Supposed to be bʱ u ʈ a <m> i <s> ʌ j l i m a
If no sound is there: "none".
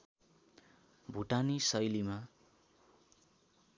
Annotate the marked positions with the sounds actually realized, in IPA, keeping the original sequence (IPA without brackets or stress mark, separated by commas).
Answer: n, s